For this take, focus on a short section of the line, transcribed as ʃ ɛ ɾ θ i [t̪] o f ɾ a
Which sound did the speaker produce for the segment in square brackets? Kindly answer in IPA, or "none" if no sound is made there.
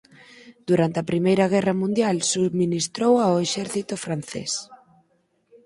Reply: t̪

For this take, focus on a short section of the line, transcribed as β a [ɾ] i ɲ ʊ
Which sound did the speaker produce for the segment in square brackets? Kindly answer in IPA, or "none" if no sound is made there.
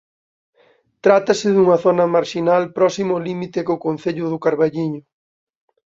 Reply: ʎ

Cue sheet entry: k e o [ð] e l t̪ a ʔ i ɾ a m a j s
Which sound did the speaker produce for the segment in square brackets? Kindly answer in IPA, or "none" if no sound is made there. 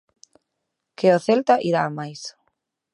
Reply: θ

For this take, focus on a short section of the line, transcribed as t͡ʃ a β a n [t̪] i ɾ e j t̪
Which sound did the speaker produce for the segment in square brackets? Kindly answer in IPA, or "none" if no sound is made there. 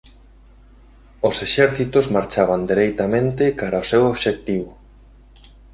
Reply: d̪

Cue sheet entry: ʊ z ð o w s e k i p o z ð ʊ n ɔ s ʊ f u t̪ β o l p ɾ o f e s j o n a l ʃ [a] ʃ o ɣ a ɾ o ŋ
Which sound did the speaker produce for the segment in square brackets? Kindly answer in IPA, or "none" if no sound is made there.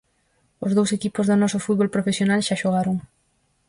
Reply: a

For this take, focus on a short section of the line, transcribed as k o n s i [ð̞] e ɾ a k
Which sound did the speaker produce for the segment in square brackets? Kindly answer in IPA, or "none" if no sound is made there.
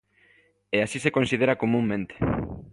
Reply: ð̞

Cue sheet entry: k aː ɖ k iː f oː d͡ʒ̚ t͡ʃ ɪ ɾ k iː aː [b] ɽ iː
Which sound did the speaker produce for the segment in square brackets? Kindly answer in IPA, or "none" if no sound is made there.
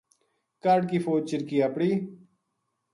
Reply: p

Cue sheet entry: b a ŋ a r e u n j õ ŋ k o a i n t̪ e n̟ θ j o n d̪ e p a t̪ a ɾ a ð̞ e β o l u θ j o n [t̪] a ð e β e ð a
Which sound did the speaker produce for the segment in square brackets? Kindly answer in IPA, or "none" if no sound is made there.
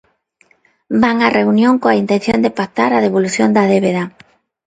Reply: d̪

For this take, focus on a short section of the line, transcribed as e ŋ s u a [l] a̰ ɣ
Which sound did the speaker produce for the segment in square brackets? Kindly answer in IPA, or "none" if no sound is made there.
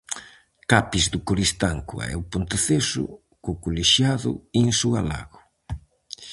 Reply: l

